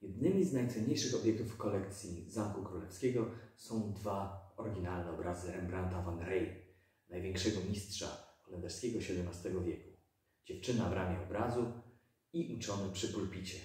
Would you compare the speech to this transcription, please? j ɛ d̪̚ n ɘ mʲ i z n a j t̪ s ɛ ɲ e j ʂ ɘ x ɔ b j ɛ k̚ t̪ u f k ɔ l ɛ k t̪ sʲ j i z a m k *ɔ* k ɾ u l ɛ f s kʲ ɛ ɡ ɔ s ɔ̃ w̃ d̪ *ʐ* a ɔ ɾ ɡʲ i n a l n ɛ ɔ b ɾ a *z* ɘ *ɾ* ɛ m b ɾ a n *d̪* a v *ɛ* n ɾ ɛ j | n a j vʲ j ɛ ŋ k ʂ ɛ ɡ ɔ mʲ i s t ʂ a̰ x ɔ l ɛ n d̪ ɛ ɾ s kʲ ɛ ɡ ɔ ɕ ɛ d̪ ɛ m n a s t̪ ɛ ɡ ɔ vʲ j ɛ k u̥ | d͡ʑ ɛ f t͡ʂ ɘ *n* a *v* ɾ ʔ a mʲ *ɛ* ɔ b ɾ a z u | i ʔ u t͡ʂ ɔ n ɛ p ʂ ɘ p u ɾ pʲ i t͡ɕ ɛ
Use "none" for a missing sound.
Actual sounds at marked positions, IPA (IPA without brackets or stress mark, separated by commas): u, v, z, ɾ, t̪, a, n, v, ɛ